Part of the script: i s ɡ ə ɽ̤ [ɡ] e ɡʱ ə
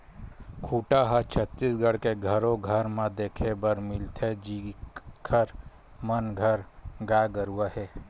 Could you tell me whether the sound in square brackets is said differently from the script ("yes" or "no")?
yes